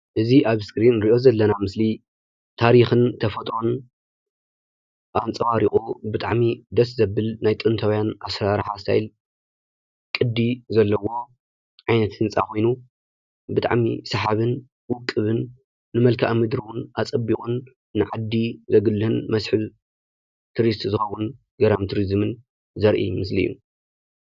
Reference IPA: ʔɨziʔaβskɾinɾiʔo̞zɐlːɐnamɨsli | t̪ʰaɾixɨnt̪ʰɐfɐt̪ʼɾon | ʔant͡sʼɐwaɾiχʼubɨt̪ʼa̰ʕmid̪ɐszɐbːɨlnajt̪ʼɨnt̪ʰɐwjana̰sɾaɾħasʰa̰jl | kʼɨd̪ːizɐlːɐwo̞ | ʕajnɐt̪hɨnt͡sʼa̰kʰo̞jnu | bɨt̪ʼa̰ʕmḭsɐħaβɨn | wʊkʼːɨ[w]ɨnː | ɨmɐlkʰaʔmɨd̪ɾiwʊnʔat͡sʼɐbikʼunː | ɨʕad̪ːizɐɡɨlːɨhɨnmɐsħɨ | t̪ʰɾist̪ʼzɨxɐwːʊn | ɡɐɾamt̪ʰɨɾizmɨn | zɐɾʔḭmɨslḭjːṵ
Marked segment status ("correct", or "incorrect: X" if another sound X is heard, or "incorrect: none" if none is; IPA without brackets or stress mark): incorrect: β